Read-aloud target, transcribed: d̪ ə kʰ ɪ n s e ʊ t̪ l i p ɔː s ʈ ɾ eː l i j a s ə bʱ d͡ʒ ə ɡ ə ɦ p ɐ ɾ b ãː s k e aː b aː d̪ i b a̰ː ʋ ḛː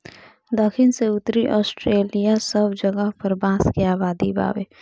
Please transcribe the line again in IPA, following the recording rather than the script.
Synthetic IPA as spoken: d̪ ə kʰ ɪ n s e ʊ t̪ ɾ i ʔ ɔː s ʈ ɾ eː l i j a s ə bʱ d͡ʒ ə ɡ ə ɦ p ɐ ɾ b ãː s k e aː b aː d̪ i b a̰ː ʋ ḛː